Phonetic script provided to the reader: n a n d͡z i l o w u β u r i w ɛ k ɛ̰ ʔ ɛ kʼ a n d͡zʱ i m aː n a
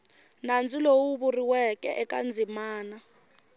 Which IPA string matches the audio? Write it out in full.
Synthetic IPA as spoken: n a n d͡z i l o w u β u r i w ɛ k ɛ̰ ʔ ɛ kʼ a n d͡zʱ i m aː n a